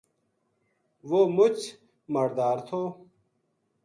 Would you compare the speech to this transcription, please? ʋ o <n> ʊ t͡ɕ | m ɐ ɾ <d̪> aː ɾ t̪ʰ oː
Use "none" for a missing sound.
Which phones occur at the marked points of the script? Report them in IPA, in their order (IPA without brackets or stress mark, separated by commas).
m, d̪